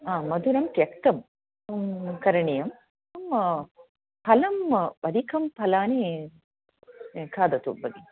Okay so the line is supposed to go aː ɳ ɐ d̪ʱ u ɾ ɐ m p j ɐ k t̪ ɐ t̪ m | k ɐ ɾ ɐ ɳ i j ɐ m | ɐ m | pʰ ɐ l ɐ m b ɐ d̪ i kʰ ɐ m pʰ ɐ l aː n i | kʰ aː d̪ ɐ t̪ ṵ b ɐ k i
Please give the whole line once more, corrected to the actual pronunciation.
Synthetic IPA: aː m ɐ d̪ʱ u ɾ ɐ m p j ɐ k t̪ ɐ m | k ɐ ɾ ɐ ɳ i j ɐ m | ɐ m | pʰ ɐ l ɐ m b ɐ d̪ i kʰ ɐ m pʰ ɐ l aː n i | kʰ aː d̪ ɐ t̪ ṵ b ɐ ɡ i